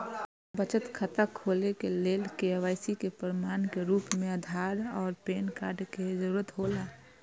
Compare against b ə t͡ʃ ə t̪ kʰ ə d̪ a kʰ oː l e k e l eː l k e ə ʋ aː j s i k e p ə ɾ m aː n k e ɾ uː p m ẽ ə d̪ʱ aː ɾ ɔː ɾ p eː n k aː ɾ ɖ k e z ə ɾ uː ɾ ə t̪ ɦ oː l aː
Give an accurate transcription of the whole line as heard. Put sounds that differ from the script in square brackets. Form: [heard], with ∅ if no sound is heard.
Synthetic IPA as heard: b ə t͡ʃ ə t̪ kʰ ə [t̪] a kʰ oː l e k e l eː l k e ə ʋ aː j s i k e p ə ɾ m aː n k e ɾ uː p m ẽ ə d̪ʱ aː ɾ ɔː ɾ p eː n k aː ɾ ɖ k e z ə ɾ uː ɾ ə t̪ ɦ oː l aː